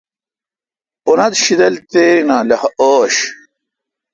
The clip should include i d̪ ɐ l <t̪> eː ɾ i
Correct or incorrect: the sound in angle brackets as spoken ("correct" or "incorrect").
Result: correct